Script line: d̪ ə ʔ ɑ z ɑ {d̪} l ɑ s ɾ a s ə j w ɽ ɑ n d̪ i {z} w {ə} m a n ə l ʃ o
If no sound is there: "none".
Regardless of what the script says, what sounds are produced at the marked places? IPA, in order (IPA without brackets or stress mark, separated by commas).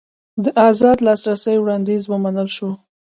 d̪, z, ə